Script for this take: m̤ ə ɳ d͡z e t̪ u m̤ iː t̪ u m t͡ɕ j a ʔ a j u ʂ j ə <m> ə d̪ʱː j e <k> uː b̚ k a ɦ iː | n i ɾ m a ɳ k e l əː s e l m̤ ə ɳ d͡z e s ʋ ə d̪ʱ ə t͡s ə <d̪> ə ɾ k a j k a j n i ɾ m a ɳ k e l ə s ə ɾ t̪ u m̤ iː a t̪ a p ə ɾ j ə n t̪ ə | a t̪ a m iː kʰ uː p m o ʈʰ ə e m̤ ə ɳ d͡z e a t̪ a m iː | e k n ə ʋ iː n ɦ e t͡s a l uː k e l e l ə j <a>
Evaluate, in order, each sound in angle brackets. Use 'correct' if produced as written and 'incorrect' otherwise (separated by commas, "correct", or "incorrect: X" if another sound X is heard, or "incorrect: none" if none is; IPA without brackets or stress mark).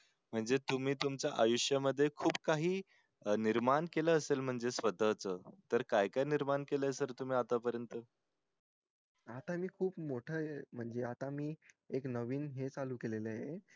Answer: correct, incorrect: kʰ, incorrect: t̪, incorrect: e